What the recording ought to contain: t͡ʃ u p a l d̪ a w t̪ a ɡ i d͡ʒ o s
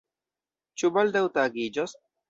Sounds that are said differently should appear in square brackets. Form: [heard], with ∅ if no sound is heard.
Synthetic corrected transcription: t͡ʃ u [b] a l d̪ a w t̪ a ɡ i d͡ʒ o s